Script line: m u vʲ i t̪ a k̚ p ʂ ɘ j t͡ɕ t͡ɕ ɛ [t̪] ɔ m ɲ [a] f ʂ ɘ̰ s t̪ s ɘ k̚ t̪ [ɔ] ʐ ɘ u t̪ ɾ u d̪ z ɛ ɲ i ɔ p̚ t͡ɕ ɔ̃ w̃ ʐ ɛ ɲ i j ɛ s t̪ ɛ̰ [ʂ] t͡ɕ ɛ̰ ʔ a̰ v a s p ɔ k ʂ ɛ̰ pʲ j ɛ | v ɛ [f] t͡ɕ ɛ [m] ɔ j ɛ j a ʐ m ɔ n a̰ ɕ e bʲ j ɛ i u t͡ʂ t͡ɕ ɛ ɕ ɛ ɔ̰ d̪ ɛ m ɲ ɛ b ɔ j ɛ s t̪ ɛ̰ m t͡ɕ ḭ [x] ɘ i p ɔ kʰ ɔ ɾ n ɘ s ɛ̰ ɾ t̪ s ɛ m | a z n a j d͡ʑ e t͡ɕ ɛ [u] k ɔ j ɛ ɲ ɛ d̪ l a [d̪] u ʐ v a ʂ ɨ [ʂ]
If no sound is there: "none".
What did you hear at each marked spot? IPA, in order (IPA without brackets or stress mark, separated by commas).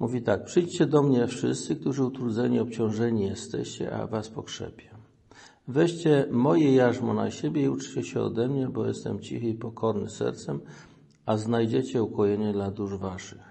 d̪, ɛ, u, ɕ, ɕ, m, x, u, d̪, x